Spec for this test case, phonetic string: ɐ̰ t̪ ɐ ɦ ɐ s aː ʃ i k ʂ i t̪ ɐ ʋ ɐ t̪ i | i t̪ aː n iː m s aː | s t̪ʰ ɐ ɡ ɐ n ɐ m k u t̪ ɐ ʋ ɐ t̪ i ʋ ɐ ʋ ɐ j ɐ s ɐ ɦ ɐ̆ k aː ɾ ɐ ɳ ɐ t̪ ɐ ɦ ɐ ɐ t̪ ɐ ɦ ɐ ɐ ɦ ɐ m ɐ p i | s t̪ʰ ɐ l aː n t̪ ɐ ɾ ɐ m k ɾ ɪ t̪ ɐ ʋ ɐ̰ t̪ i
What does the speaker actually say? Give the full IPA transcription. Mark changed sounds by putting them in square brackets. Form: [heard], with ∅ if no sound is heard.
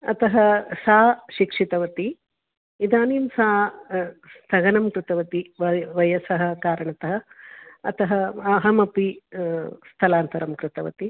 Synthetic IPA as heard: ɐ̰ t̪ ɐ ɦ ɐ s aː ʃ i k ʂ i t̪ ɐ ʋ ɐ t̪ i | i [d̪] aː n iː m s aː | s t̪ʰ ɐ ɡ ɐ n ɐ m k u t̪ ɐ ʋ ɐ t̪ i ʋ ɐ ʋ ɐ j ɐ s ɐ ɦ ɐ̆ k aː ɾ ɐ ɳ ɐ t̪ ɐ ɦ ɐ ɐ t̪ ɐ ɦ ɐ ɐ ɦ ɐ m ɐ p i | s t̪ʰ ɐ l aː n t̪ ɐ ɾ ɐ m k ɾ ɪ t̪ ɐ ʋ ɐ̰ t̪ i